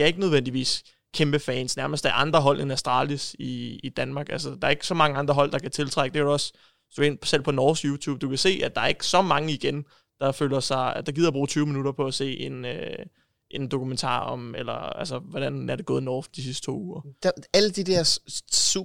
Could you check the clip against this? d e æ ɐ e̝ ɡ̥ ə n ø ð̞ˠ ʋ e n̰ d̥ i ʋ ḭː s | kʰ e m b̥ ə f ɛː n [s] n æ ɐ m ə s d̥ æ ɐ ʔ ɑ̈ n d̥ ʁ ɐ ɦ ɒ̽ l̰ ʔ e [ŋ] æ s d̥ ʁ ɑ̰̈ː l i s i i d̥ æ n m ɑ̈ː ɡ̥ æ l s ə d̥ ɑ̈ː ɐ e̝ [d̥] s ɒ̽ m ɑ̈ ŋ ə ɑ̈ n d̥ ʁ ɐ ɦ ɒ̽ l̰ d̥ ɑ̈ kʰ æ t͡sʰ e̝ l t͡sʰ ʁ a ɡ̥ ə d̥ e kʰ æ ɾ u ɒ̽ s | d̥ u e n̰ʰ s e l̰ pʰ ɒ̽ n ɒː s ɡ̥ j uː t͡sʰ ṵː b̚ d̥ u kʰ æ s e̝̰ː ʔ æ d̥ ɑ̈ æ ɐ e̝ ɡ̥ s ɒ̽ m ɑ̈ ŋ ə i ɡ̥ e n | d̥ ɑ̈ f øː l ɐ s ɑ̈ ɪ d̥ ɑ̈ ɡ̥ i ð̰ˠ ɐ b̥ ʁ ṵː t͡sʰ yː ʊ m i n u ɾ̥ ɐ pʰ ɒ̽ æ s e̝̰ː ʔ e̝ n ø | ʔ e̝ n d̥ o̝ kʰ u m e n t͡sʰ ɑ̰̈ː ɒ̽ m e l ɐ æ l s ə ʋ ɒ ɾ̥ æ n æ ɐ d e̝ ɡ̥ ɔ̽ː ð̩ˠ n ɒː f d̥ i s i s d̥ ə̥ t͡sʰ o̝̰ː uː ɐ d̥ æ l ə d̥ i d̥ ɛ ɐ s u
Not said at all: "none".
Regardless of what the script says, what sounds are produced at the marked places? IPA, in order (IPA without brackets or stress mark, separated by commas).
s, n, ɡ̥